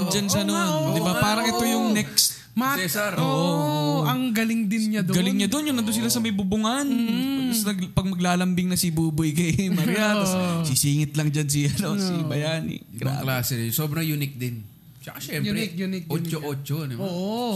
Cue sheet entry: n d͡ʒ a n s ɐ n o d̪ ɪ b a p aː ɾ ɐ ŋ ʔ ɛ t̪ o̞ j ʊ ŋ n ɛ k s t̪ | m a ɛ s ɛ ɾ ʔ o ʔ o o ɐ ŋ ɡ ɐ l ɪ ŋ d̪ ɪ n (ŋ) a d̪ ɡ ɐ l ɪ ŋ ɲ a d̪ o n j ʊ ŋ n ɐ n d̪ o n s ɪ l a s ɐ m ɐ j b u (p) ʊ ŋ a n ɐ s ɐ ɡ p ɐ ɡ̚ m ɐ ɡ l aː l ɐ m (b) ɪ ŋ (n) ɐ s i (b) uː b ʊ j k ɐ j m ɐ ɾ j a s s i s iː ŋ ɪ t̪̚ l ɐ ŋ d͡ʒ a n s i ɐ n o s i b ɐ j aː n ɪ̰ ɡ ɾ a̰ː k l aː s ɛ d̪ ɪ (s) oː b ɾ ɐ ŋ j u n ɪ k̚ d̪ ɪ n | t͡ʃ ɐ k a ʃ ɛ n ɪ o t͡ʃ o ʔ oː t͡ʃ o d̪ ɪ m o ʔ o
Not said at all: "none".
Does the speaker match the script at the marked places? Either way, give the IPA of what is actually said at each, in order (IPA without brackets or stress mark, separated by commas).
ɲ, b, b, n, b, s